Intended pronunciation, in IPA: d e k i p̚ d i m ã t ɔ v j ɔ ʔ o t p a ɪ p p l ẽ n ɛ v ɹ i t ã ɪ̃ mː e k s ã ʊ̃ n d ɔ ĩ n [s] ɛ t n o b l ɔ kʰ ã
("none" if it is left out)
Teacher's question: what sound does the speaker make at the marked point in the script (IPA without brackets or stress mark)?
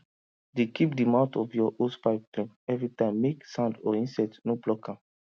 s